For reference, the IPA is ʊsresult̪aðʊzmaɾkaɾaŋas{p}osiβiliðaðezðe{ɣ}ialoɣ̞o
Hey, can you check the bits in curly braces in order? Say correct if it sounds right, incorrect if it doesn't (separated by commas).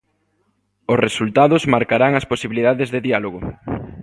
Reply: correct, incorrect